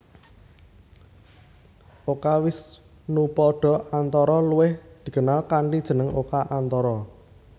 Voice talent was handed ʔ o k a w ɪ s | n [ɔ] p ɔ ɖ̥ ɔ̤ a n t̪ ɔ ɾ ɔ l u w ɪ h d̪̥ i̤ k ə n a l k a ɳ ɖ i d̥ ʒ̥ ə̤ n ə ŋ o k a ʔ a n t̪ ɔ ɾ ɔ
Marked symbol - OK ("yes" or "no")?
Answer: no